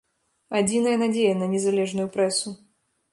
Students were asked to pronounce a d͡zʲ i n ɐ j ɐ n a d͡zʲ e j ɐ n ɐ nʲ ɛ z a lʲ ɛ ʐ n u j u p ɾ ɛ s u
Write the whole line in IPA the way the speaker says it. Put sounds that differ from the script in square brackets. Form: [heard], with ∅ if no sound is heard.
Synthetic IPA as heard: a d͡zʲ i n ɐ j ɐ n a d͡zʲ e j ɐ n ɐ nʲ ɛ z a lʲ ɛ ʐ n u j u p ɾ ɛ s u